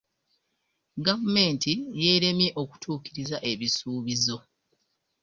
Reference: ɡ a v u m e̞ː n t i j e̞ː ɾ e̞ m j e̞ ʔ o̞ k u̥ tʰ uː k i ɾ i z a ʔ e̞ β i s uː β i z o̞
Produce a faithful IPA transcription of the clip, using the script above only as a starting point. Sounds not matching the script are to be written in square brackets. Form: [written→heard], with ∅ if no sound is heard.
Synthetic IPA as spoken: ɡ a v u m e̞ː n t i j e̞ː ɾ e̞ m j e̞ ʔ o̞ k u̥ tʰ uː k i ɾ i z a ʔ e̞ β i s uː β i z o̞

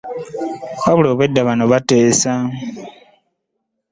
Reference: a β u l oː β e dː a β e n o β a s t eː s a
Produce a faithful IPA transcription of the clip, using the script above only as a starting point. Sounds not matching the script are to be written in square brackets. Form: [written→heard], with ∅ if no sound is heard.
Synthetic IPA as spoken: a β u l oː β e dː a β [e→a] n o β a [s→∅] t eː s a

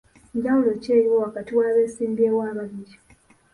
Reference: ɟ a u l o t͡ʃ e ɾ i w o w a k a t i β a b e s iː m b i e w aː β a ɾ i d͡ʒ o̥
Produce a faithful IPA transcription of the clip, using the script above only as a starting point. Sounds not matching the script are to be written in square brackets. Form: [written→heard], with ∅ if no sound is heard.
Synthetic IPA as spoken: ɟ a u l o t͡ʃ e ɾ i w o w a k a t i [β→w] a [b→β] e s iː m b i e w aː β a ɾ i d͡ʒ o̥

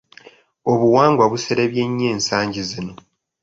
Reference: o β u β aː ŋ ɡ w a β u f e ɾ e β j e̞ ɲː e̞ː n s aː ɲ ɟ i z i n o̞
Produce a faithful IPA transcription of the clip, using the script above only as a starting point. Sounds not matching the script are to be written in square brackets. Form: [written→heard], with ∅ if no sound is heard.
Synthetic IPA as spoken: o β u [β→w] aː ŋ ɡ w a β u [f→s] e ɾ e β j e̞ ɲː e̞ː n s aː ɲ ɟ i z i n o̞

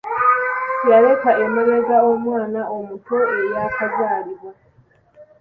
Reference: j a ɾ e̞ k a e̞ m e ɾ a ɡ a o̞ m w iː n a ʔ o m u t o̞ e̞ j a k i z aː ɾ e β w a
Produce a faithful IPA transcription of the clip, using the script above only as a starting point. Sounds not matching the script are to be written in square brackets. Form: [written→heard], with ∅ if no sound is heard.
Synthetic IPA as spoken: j a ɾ e̞ k a e̞ m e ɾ [a→e] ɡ a o̞ m w [iː→aː] n a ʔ o m u t o̞ e̞ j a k [i→a] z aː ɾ [e→i] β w a

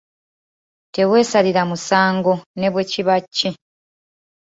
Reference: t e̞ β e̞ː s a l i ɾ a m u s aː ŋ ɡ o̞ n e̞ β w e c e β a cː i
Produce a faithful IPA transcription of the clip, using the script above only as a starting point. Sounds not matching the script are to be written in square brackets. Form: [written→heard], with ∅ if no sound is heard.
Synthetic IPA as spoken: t e̞ [β→w] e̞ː s a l i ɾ a m u s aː ŋ ɡ o̞ n e̞ β w e c [e→i] β a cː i

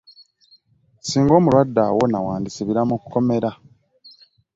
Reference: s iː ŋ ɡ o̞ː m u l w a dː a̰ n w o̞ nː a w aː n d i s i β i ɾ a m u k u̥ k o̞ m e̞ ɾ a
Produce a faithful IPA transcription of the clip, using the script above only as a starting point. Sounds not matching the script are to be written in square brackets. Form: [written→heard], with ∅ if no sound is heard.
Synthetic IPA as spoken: s iː ŋ ɡ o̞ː m u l w a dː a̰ [n→∅] w o̞ [nː→n] a w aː n d i s i β i ɾ a m u k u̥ k o̞ m e̞ ɾ a

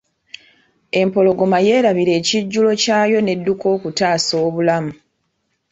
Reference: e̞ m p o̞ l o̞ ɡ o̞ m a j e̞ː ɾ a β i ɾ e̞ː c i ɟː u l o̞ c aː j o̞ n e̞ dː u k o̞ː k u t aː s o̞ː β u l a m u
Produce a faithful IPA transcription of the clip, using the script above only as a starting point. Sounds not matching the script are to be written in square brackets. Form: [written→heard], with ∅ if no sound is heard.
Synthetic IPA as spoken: e̞ m p o̞ l o̞ ɡ o̞ m a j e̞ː ɾ a β i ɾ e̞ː c i ɟː u l o̞ c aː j o̞ n e̞ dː u k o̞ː k u t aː s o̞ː β u l a m u

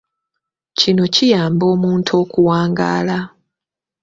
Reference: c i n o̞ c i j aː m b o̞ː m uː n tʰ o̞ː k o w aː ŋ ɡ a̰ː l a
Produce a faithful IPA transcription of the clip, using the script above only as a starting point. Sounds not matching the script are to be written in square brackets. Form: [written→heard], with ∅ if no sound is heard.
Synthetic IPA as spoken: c i n o̞ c i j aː m b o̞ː m uː n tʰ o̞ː k [o→u] w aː ŋ ɡ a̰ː l a

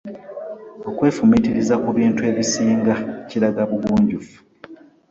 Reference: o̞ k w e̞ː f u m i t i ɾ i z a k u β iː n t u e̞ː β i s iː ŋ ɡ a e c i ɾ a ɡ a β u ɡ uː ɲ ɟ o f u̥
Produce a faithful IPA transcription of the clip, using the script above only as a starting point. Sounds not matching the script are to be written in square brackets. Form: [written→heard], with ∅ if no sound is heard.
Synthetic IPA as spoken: o̞ k w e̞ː f u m i t i ɾ i z a k u β iː n t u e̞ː β i s iː ŋ ɡ a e c i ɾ a ɡ a β u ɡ uː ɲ ɟ [o→u] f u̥

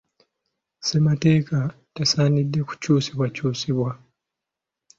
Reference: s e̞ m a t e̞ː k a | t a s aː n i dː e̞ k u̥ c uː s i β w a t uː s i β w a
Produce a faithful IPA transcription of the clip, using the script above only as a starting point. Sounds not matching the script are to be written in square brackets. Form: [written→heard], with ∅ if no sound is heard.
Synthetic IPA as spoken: s e̞ m a t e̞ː k a | t a s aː n i dː e̞ k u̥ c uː s i β w a [t→c] uː s i β w a

